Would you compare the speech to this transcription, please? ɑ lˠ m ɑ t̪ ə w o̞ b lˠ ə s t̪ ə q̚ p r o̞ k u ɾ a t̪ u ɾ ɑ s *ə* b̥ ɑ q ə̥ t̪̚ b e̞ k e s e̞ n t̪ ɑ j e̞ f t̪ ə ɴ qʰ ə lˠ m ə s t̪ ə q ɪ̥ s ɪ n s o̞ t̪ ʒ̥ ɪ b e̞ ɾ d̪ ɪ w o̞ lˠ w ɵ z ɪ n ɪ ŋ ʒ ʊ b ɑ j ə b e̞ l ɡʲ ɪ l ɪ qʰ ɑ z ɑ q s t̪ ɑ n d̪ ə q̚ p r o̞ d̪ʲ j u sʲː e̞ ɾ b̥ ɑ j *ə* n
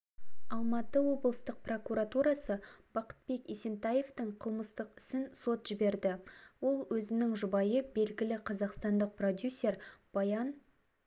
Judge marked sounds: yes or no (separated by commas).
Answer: yes, no